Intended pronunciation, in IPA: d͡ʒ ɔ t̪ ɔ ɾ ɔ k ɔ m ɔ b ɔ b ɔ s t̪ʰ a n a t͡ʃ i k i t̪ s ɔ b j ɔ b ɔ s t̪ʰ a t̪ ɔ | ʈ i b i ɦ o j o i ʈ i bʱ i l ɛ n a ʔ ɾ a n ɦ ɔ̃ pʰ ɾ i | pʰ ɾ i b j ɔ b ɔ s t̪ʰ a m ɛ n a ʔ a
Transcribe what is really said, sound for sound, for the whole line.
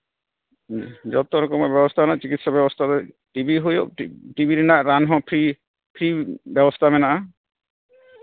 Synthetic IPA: d͡ʒ ɔ t̪ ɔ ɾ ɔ k ɔ m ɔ b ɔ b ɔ s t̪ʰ a n a t͡ʃ i k i t̪ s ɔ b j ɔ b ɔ s t̪ʰ a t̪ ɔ | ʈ i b i ɦ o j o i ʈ i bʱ i ɾ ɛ n a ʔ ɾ a n ɦ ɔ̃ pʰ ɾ i | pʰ ɾ i b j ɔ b ɔ s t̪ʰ a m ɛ n a ʔ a